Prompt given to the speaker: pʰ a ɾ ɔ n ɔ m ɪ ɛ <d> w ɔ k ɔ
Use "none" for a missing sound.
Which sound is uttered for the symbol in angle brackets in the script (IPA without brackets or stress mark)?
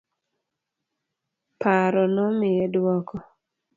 d